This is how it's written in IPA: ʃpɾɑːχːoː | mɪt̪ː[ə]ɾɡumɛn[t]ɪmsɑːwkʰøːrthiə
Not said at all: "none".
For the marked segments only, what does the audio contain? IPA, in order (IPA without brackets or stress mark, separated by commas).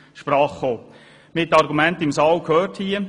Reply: ɑ, t